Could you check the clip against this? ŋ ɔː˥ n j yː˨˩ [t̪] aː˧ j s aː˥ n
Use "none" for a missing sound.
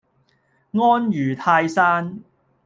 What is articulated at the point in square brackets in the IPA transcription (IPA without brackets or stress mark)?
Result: t̪ʰ